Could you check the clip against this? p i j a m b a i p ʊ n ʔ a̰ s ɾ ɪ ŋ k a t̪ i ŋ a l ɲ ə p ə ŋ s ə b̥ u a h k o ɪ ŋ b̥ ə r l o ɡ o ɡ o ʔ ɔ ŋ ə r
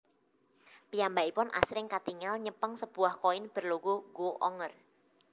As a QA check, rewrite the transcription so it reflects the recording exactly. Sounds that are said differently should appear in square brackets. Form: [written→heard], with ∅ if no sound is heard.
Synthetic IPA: p i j a m b a i p ʊ n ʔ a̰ s ɾ ɪ ŋ k a t̪ i ŋ a l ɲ ə p ə ŋ s ə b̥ u a h k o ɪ [ŋ→n] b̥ ə r l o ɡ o ɡ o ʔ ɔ ŋ ə r